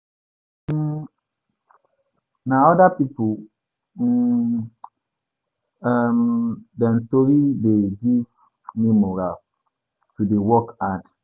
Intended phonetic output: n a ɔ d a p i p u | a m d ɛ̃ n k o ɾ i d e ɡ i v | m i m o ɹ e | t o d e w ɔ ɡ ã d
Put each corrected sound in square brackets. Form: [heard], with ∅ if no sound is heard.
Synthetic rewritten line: n a ɔ d a p i p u | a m d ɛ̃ n [t] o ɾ i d e ɡ i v | m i m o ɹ [a] | t [u] d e w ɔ [k] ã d